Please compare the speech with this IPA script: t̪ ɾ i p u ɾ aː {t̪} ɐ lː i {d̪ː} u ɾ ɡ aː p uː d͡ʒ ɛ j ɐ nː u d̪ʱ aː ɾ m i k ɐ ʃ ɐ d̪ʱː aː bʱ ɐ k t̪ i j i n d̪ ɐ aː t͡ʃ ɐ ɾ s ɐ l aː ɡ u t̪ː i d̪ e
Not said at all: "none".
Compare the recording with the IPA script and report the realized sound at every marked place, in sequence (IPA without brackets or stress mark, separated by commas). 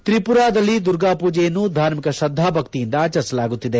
d̪, d̪